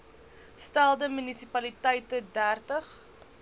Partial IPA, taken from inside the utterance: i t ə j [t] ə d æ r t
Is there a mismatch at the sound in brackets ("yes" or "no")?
no